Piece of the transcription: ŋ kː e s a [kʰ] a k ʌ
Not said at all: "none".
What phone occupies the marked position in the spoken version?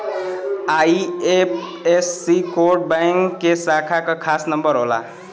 kʰ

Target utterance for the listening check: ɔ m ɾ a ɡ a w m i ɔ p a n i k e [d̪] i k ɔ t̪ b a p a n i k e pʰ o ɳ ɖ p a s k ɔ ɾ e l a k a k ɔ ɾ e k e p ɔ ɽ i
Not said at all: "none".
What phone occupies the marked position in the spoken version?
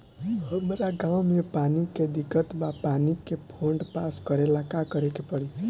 d̪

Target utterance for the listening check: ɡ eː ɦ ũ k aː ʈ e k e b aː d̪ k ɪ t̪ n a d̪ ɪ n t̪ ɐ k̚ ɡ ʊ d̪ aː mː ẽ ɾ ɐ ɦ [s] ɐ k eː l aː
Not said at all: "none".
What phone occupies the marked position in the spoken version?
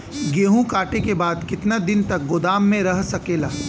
s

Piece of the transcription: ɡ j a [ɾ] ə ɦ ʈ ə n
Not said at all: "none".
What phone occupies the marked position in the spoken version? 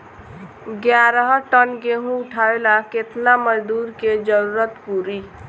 ɾ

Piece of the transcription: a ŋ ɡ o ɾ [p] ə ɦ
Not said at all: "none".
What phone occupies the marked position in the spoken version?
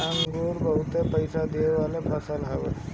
b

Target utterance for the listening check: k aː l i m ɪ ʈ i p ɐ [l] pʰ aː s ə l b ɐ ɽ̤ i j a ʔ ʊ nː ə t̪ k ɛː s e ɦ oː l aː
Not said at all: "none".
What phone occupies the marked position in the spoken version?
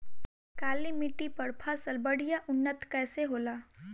ɾ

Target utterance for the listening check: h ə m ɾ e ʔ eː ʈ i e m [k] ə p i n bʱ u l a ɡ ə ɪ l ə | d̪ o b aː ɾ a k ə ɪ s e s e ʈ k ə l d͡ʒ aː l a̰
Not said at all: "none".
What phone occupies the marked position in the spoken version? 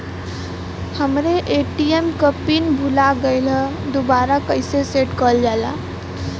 k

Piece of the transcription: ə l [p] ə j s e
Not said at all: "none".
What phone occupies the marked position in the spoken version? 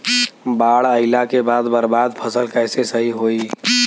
k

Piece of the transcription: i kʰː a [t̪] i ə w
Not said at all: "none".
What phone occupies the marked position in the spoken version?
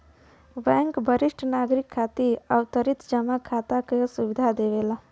t̪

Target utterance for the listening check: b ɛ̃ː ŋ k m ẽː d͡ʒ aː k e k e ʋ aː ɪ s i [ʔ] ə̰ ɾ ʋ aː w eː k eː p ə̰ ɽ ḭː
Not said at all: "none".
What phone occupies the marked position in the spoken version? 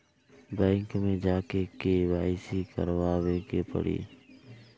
k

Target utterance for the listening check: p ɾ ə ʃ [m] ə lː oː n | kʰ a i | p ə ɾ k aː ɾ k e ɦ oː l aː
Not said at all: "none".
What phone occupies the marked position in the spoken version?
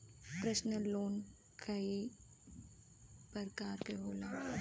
n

